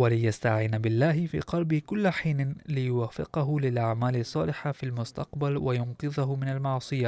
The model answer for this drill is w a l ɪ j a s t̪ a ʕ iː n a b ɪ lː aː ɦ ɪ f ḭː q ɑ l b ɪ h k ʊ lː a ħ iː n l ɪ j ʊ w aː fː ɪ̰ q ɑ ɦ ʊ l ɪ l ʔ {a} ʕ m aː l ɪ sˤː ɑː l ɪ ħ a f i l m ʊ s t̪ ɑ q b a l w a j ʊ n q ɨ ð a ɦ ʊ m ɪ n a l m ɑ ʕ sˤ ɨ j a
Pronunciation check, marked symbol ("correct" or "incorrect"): correct